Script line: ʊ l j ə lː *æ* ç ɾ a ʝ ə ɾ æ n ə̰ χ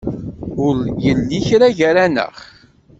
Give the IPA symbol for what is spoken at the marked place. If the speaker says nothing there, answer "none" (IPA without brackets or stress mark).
i